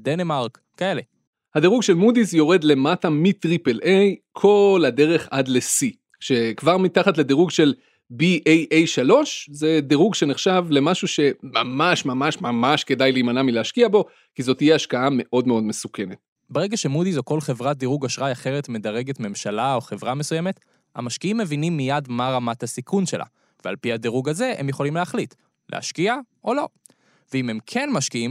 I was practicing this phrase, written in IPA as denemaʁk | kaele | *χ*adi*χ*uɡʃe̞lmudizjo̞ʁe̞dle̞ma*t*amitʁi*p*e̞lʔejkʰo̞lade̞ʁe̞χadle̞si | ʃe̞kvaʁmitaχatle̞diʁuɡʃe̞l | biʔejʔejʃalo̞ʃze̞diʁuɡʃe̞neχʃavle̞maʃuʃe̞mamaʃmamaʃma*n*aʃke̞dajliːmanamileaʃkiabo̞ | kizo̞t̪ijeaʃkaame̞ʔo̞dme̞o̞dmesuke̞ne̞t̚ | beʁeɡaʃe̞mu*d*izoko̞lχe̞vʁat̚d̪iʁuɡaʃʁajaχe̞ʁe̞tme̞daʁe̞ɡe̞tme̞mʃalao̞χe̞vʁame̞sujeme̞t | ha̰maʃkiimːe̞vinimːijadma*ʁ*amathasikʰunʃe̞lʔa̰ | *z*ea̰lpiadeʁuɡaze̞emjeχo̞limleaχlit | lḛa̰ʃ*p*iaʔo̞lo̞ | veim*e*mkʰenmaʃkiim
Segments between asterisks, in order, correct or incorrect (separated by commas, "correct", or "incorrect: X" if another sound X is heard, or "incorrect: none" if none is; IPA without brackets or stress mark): incorrect: h, incorrect: ʁ, correct, correct, incorrect: m, correct, correct, incorrect: v, incorrect: k, correct